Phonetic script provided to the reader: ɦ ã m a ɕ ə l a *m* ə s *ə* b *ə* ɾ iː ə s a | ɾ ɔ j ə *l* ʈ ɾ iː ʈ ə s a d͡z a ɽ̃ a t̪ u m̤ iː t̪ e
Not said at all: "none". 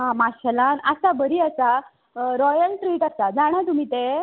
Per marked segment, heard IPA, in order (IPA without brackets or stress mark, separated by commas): n, a, ə, l